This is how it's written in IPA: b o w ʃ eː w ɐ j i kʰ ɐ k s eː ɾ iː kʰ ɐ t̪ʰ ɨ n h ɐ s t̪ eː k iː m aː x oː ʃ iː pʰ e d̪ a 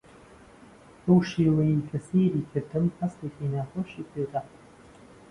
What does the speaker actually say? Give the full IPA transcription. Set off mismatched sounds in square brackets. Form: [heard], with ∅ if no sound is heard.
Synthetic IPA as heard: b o w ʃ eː w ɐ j i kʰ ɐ [∅] s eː ɾ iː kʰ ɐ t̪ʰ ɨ [m] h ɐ s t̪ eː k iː [n] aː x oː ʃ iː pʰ e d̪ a